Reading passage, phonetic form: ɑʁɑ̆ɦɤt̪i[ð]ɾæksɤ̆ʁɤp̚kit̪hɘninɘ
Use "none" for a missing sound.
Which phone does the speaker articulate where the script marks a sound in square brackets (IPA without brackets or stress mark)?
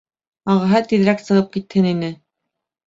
ð